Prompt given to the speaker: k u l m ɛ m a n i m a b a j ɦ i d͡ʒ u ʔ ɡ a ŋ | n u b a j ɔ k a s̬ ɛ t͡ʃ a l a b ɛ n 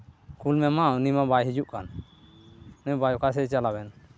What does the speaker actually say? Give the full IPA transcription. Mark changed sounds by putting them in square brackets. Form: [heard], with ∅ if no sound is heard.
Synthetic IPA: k u l m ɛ m a n i m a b a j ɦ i d͡ʒ u ʔ [k] a [n] | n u b a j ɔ k a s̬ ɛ t͡ʃ a l a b ɛ n

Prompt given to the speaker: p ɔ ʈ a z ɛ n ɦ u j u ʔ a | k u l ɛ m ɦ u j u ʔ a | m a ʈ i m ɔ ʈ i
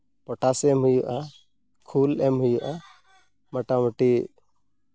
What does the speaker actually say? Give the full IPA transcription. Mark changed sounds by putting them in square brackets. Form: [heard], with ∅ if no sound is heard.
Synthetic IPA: p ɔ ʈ a [s] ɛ [m] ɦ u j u ʔ a | [kʰ] u l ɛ m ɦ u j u ʔ a | m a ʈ [a] m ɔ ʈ i

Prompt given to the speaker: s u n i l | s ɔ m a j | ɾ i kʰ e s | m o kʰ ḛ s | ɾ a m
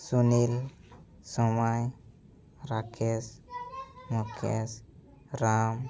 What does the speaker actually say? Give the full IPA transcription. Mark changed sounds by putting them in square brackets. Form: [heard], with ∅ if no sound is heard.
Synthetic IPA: s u n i l | s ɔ m a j | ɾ [a] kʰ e s | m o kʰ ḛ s | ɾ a m

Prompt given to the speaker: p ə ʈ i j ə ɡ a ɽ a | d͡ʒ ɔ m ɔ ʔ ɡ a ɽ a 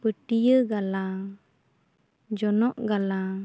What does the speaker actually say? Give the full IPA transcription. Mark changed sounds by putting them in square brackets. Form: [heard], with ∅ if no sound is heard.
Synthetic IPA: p ə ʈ i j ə ɡ a [l] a | d͡ʒ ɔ [n] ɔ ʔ ɡ a [l] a

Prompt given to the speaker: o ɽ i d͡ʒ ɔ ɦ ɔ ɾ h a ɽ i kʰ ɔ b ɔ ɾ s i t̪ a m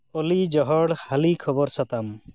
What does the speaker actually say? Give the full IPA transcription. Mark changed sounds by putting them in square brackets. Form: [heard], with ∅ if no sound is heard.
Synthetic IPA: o [l] i d͡ʒ ɔ ɦ ɔ [ɽ] h a [l] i kʰ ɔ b ɔ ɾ s [a] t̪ a m

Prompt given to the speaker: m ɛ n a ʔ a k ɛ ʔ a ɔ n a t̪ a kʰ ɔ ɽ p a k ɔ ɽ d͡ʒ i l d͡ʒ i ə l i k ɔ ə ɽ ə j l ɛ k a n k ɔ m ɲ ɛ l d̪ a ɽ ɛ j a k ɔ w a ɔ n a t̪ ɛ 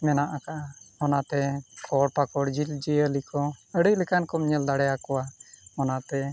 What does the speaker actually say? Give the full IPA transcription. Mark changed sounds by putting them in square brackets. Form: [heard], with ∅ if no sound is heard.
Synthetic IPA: m ɛ n a ʔ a k [a] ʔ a ɔ n a t̪ [ɛ] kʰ ɔ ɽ p a k ɔ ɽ d͡ʒ i l d͡ʒ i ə l i k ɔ ə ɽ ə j l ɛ k a n k ɔ m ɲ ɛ l d̪ a ɽ ɛ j a k ɔ w a ɔ n a t̪ ɛ

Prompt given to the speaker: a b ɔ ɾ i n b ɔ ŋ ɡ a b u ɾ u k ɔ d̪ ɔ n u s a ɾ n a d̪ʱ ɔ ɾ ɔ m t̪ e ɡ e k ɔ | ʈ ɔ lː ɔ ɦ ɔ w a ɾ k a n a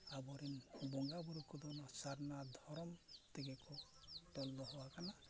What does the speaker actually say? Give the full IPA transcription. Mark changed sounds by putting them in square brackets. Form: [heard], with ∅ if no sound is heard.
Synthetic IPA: a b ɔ ɾ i n b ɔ ŋ ɡ a b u ɾ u k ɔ d̪ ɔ n [ɔ] s a ɾ n a d̪ʱ ɔ ɾ ɔ m t̪ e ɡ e k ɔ | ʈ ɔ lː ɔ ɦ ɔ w a [∅] k a n a

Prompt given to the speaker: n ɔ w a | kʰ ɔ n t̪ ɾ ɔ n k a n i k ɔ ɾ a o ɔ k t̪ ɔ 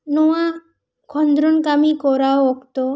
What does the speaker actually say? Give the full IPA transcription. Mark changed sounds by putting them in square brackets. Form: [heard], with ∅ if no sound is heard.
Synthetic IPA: n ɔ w a | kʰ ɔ n [d̪] ɾ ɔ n k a [m] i k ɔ ɾ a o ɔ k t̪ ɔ

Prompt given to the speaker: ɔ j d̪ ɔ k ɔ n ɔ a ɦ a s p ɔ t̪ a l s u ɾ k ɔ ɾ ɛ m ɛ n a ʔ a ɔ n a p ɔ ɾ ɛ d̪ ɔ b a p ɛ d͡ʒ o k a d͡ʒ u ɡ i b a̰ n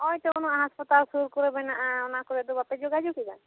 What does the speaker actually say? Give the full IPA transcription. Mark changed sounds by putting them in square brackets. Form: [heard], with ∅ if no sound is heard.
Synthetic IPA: ɔ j [t̪] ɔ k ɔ n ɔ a ɦ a s p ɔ t̪ a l s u ɾ k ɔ ɾ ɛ [b] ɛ n a ʔ a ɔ n a [k] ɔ ɾ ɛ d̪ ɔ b a p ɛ d͡ʒ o [ɡ] a d͡ʒ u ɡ i b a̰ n

